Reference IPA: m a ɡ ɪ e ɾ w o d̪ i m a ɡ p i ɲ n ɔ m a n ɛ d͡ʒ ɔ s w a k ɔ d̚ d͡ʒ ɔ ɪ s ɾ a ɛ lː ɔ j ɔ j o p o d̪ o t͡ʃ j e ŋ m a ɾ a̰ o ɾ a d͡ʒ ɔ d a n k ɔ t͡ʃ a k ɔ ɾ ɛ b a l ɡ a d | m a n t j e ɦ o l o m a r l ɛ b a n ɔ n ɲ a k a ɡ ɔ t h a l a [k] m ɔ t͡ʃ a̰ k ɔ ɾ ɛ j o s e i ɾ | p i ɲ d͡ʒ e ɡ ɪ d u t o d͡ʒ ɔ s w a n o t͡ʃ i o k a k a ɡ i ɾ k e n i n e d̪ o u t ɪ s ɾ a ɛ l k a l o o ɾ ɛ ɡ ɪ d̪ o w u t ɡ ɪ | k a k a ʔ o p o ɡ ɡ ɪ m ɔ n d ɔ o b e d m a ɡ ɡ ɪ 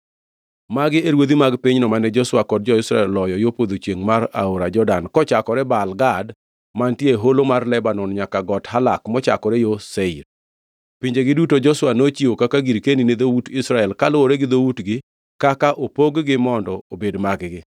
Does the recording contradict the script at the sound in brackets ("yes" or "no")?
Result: no